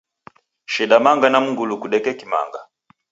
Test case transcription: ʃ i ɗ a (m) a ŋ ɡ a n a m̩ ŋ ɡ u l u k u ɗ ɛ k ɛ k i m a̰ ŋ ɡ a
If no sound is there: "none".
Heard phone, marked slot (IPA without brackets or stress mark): m